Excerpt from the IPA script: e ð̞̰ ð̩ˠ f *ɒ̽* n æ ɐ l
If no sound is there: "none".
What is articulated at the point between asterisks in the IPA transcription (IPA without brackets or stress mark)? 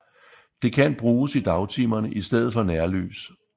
ɒ̽